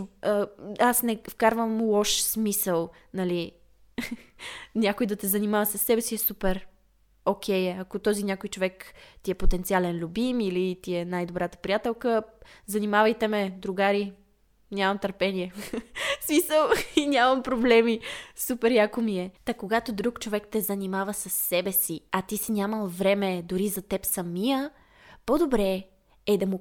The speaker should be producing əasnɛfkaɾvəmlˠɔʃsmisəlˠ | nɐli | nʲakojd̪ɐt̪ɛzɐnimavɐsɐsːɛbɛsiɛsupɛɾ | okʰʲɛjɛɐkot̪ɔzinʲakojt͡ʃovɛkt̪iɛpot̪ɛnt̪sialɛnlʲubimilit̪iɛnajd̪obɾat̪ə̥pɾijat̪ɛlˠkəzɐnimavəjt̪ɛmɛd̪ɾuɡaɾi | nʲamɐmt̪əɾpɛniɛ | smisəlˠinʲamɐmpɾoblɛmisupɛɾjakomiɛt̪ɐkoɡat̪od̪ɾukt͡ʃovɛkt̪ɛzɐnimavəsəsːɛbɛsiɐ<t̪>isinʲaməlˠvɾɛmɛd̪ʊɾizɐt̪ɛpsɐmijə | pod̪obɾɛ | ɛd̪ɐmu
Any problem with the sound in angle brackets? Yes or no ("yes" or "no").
no